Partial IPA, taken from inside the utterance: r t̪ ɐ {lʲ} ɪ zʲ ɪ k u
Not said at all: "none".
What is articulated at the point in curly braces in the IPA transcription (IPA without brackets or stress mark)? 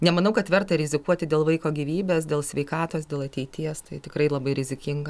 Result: ɾʲ